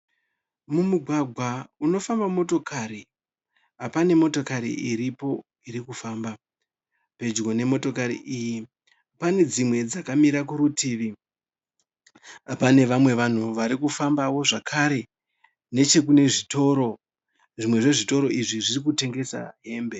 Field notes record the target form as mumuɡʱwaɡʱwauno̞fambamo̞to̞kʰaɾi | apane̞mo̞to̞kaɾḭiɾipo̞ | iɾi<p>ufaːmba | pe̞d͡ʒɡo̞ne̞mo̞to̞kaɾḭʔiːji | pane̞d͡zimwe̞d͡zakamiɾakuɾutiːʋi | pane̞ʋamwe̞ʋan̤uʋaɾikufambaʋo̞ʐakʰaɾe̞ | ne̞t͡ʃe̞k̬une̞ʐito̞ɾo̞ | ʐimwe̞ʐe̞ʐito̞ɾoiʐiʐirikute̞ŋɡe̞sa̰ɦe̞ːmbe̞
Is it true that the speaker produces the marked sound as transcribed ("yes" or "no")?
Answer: no